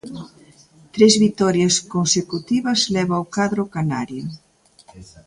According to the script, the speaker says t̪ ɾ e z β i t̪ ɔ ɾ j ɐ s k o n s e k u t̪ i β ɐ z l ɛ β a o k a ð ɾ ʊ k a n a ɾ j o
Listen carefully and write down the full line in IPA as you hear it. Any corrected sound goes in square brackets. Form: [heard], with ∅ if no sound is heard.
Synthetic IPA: t̪ ɾ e z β i t̪ ɔ ɾ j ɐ s k o n s e k u t̪ i β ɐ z l ɛ β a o k a ð ɾ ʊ k a n a ɾ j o